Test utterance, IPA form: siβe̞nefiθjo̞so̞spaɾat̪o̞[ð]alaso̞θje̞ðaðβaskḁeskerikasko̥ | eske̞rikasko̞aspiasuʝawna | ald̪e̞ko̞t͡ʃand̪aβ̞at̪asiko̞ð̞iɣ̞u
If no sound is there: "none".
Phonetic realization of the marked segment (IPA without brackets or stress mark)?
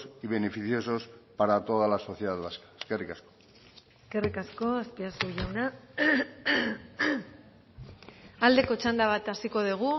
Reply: ð